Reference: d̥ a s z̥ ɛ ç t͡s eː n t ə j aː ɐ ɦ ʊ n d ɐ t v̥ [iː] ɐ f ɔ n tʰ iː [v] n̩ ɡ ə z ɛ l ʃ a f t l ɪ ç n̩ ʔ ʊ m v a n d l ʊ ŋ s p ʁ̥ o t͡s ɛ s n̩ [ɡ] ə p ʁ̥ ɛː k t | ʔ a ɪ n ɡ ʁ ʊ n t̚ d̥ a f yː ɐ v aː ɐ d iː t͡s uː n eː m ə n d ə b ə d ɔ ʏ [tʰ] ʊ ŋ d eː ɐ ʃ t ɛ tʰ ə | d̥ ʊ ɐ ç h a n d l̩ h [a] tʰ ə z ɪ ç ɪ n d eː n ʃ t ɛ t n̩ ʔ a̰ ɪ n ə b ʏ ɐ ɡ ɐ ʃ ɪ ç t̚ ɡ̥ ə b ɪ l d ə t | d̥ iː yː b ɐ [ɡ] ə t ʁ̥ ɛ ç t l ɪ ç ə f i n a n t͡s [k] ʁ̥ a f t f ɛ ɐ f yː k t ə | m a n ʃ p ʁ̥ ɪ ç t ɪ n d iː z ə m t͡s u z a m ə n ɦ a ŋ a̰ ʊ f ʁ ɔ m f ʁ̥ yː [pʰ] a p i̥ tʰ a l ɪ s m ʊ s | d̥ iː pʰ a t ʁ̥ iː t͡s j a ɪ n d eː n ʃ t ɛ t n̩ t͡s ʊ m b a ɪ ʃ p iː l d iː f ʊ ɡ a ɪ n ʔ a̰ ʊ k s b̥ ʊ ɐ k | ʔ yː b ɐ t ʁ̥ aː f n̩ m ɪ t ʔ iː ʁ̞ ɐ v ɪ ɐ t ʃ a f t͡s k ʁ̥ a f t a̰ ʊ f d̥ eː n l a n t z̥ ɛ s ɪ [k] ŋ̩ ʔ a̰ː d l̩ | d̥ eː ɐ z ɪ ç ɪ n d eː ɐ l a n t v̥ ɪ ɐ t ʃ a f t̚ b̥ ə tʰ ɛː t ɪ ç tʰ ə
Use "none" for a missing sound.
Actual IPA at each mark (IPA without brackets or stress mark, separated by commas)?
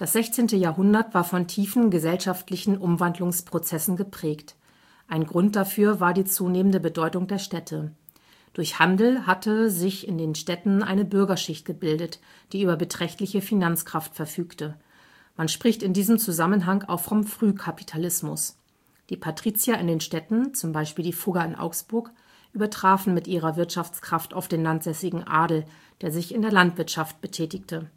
aː, f, ɡ, t, a, b, k, kʰ, ɡ